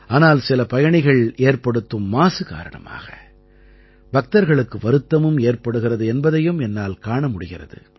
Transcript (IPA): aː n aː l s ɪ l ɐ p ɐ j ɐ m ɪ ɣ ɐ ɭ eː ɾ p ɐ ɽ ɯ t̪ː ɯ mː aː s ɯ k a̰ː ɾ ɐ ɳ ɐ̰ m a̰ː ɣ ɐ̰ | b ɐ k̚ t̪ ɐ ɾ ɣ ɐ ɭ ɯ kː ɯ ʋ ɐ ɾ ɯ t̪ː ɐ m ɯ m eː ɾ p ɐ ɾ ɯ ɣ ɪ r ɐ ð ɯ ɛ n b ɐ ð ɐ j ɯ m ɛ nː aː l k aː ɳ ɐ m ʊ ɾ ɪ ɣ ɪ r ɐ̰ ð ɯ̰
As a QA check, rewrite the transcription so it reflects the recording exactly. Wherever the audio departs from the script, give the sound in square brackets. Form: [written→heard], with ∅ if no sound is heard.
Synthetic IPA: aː n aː l s ɪ l ɐ p ɐ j ɐ [m→ɳ] ɪ ɣ ɐ ɭ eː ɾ p ɐ ɽ ɯ t̪ː ɯ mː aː s ɯ k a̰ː ɾ ɐ ɳ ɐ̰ m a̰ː ɣ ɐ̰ | b ɐ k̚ t̪ ɐ ɾ ɣ ɐ ɭ ɯ kː ɯ ʋ ɐ ɾ ɯ t̪ː ɐ m ɯ m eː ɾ p ɐ [ɾ→ɽ] ɯ ɣ ɪ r ɐ ð ɯ ɛ n b ɐ ð ɐ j ɯ m ɛ nː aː l k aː ɳ ɐ m ʊ [ɾ→ɽ] ɪ ɣ ɪ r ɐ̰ ð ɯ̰